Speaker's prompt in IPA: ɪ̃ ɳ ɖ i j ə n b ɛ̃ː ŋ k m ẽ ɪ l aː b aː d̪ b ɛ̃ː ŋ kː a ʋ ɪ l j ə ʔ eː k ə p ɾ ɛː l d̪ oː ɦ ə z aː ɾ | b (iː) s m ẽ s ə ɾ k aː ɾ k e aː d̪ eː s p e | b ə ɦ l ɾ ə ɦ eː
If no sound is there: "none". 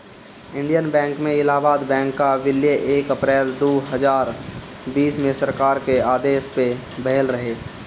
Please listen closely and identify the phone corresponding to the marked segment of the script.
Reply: iː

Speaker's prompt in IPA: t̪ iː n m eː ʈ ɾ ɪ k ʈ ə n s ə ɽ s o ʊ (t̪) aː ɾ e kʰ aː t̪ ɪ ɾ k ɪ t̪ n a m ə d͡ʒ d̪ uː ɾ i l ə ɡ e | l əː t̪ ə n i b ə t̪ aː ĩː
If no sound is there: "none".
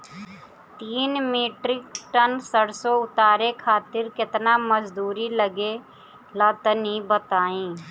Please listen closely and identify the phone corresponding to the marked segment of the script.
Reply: t̪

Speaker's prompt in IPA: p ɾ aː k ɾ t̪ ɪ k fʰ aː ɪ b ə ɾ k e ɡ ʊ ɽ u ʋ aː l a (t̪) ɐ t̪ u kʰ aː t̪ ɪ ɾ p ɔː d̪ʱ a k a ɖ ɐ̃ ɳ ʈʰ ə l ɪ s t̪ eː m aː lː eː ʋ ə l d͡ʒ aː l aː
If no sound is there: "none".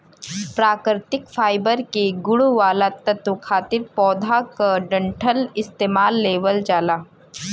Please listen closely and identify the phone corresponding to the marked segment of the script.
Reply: t̪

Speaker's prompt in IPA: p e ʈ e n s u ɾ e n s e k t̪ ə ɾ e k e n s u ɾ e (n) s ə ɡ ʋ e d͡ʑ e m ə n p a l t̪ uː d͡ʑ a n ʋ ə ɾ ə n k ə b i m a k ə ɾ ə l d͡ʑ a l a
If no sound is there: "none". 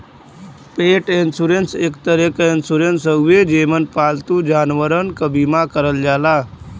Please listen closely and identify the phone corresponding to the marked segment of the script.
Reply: n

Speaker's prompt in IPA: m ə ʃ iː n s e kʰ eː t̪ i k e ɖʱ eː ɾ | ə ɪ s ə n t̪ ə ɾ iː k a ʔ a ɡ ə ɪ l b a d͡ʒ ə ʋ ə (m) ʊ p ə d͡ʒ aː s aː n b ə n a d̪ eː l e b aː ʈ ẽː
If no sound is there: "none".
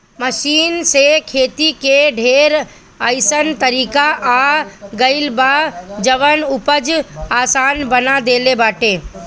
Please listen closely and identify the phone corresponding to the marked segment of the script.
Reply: n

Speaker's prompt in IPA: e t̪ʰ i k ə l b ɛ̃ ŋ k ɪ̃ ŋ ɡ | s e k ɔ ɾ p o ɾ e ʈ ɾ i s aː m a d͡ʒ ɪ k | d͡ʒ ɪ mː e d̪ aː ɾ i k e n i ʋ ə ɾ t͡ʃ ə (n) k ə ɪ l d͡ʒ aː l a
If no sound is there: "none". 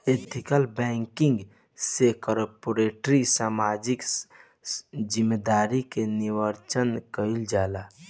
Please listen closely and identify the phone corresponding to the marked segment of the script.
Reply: n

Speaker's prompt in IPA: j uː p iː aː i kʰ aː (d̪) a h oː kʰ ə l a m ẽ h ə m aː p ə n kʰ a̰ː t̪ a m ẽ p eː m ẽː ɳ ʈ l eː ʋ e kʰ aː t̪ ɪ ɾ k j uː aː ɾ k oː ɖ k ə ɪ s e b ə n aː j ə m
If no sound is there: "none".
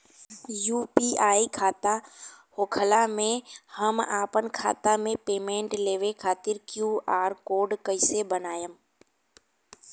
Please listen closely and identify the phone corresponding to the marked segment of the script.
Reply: t̪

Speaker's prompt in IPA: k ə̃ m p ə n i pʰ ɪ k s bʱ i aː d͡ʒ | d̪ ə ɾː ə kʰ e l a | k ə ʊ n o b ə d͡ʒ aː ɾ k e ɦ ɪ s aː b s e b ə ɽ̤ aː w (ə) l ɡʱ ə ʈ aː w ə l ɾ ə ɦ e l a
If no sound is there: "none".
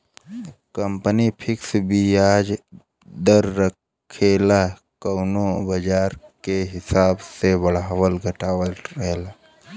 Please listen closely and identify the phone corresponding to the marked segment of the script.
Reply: ə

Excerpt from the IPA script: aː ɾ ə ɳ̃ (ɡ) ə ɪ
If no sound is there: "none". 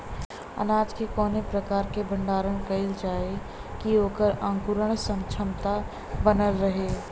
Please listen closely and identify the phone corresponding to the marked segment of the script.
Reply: k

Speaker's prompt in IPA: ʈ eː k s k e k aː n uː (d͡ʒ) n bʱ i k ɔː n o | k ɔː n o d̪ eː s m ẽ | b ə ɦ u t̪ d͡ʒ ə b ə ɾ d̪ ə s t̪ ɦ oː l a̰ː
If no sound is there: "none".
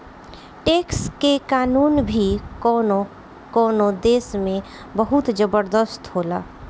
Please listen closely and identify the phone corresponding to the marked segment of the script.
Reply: none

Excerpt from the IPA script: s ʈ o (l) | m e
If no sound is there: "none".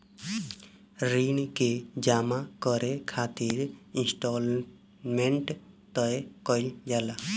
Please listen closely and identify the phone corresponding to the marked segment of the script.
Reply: l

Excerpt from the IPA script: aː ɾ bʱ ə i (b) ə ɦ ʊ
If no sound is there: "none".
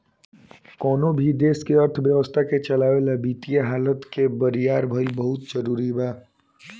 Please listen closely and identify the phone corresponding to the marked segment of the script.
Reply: b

